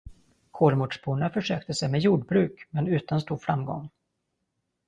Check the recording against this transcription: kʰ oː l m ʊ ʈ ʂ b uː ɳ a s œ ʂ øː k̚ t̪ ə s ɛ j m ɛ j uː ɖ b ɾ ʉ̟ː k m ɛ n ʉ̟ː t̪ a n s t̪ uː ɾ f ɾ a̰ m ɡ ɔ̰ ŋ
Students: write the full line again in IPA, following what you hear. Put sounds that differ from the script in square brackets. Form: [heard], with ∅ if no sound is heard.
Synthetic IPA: kʰ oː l m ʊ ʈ ʂ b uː ɳ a [f] œ ʂ øː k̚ t̪ ə s ɛ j m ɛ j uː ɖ b ɾ ʉ̟ː k m ɛ n ʉ̟ː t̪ a n s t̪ uː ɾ f ɾ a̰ m ɡ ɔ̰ ŋ